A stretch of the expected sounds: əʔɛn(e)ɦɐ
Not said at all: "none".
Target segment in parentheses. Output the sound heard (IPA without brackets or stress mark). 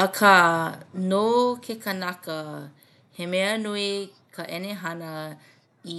e